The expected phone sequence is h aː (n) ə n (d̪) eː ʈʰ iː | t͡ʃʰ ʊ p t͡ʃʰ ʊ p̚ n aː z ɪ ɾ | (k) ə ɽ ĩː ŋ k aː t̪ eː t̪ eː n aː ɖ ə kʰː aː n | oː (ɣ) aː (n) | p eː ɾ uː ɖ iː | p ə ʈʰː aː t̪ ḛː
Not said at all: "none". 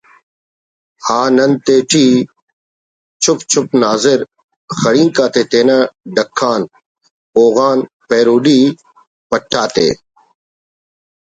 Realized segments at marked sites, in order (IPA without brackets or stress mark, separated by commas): n, t̪, x, ɣ, n